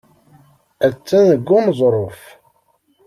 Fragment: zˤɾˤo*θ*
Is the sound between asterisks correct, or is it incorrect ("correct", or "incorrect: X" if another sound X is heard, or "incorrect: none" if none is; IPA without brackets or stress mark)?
incorrect: f